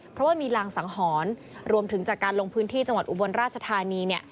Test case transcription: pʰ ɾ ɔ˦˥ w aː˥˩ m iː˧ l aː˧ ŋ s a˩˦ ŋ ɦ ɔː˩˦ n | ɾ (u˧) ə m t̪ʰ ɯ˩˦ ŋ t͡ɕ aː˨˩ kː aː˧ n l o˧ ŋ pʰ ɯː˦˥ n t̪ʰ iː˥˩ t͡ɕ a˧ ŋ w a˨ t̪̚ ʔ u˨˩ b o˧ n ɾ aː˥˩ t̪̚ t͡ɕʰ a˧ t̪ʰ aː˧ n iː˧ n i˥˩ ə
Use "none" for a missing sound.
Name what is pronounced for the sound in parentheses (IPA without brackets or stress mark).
u˧